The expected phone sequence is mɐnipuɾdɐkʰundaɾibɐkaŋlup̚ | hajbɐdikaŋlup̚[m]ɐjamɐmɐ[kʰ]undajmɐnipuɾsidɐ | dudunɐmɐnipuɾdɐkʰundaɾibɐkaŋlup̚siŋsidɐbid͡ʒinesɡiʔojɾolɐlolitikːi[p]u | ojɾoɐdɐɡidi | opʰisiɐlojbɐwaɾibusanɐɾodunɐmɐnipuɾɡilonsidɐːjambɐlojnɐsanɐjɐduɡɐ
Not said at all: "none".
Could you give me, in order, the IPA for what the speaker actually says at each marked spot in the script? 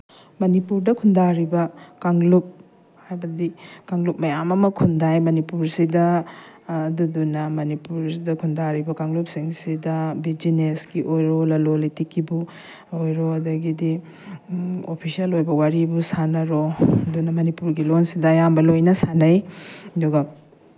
m, kʰ, b

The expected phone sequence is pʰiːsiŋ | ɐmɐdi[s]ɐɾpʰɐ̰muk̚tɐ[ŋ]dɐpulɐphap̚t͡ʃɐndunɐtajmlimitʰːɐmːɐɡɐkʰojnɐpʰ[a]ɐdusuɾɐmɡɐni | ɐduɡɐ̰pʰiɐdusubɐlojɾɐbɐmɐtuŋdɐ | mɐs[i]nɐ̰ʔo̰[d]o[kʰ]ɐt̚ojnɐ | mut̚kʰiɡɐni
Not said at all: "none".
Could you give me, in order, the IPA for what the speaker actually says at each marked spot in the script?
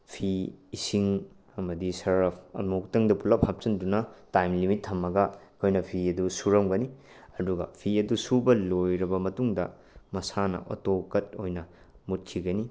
s, ŋ, i, a, t, k

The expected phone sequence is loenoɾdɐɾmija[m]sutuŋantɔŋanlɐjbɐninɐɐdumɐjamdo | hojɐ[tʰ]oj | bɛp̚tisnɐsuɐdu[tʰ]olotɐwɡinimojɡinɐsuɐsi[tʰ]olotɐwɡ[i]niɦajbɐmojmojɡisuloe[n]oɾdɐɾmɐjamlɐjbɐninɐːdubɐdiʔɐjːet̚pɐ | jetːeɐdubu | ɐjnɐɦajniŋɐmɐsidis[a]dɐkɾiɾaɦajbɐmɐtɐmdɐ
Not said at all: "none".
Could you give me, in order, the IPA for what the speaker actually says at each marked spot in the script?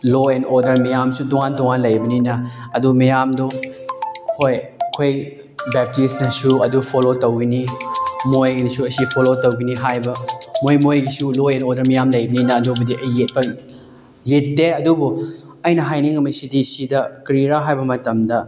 m, kʰ, pʰ, pʰ, i, n, i

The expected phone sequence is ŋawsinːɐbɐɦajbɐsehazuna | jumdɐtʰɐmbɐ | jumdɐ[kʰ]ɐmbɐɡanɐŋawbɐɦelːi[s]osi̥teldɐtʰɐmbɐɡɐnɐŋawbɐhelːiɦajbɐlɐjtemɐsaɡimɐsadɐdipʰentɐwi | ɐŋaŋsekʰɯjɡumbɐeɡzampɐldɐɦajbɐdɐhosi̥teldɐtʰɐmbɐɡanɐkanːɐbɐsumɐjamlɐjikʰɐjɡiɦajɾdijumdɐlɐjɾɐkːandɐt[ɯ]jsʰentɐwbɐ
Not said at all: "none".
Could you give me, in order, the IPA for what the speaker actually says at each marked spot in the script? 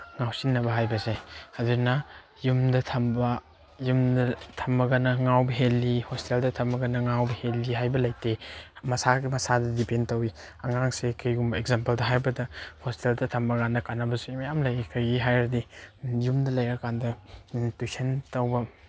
tʰ, h, u

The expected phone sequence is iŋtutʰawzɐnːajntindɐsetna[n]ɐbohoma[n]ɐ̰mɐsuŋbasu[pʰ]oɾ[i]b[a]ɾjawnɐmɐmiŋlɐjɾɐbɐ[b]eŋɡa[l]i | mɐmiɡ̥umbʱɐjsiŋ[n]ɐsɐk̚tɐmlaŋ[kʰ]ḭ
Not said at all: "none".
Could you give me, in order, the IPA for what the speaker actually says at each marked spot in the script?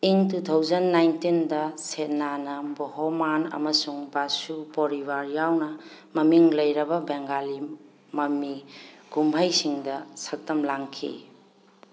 n, n, p, i, a, b, l, d, kʰ

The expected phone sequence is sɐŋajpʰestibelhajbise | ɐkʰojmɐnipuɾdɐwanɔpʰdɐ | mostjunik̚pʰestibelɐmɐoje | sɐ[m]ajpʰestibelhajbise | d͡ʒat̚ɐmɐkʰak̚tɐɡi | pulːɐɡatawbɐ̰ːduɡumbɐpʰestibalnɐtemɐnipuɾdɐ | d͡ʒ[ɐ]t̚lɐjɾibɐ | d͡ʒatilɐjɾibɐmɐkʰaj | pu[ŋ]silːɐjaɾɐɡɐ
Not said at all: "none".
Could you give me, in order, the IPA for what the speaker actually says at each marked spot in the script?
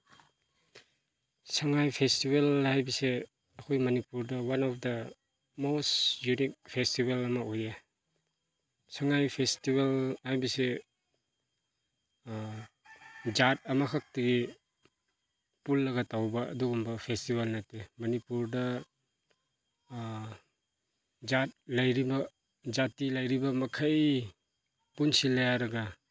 ŋ, a, n

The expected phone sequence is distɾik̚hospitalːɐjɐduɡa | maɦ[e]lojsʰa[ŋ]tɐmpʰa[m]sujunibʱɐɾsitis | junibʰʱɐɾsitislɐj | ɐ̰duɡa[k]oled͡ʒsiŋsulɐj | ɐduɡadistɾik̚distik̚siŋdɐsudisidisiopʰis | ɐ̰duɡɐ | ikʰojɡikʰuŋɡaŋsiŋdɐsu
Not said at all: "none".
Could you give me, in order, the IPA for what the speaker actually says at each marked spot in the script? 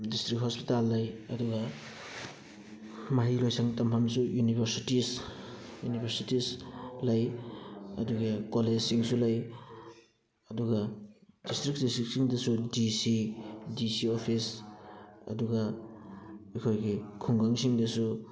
i, ŋ, m, k

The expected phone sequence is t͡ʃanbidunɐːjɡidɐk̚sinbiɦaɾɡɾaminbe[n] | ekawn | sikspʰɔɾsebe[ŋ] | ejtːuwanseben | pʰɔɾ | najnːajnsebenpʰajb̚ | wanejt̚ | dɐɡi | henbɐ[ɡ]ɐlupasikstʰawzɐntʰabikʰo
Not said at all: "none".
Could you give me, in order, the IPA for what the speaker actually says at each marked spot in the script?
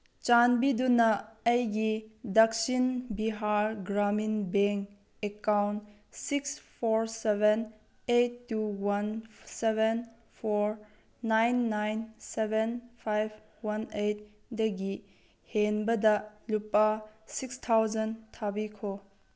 ŋ, n, d

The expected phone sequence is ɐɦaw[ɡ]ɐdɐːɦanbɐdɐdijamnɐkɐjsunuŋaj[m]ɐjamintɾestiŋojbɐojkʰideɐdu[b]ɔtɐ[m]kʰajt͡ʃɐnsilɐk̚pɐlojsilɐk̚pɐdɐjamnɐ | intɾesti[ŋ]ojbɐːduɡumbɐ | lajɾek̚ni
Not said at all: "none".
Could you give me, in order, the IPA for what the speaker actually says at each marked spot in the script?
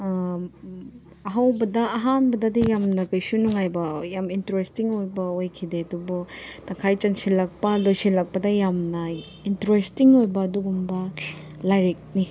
b, b, b, ŋ, ŋ

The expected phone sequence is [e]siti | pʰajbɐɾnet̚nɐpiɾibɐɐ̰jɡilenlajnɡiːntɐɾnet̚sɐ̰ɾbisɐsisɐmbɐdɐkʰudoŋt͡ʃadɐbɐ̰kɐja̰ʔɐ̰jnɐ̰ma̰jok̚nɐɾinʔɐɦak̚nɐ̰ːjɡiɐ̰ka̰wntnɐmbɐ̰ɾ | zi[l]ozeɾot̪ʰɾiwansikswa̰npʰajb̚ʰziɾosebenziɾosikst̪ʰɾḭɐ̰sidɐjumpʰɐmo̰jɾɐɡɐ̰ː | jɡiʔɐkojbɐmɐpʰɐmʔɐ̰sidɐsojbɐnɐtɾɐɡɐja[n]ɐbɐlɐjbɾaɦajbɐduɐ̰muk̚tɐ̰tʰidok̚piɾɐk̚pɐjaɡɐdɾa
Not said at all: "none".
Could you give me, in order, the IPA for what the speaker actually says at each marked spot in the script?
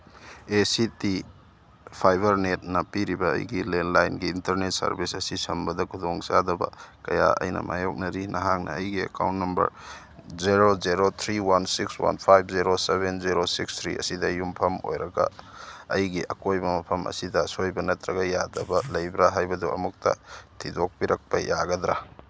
e, ɾ, d

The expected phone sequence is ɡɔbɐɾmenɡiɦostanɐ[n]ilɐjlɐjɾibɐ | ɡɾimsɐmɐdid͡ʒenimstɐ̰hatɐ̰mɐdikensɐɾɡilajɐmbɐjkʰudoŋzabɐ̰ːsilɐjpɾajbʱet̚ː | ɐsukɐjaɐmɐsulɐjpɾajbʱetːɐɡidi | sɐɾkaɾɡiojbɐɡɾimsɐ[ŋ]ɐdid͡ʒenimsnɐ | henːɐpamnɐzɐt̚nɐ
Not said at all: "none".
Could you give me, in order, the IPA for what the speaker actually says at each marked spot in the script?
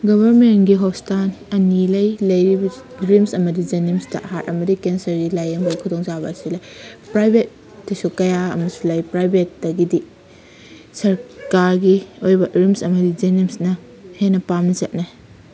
n, m

